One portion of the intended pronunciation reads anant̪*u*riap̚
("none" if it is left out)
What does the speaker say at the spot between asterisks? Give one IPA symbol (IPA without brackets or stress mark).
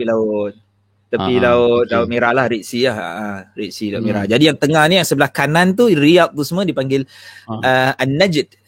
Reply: u